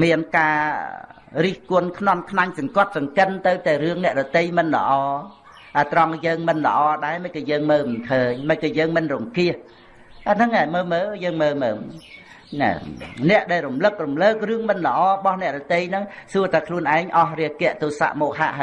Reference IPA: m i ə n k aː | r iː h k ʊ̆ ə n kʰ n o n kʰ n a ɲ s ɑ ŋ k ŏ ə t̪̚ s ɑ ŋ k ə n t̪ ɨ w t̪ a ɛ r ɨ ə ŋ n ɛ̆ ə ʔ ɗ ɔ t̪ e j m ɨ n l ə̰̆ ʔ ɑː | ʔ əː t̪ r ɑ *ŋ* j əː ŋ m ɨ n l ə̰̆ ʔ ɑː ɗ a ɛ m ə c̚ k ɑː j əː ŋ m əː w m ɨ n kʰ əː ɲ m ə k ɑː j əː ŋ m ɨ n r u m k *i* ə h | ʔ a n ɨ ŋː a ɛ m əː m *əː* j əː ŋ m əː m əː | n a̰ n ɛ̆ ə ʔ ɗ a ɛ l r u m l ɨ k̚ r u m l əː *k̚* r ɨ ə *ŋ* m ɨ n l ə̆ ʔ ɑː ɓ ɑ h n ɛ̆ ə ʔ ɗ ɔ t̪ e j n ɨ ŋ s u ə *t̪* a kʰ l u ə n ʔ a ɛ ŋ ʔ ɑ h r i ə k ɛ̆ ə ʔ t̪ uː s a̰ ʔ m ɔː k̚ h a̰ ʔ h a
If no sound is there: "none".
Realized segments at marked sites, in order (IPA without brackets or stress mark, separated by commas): ŋ, i, əː, k̚, ŋ, t̪